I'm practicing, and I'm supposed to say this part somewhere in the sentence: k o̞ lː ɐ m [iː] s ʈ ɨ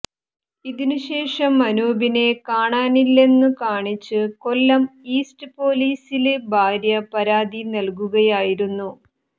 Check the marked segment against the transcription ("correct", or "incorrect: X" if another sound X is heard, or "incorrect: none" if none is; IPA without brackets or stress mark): correct